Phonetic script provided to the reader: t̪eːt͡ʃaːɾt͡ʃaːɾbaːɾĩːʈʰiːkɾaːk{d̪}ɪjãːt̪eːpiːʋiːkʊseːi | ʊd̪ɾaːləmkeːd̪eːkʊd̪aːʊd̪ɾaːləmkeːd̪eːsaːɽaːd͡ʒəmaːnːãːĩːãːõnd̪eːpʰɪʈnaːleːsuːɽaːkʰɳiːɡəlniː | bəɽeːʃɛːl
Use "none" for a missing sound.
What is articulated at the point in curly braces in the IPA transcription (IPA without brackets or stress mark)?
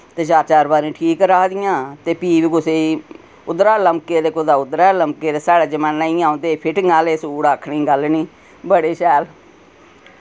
d̪